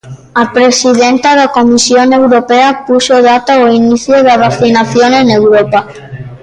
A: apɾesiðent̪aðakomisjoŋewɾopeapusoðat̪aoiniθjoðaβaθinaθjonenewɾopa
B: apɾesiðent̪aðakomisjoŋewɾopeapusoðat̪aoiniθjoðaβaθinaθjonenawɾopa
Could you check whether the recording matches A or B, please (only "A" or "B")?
A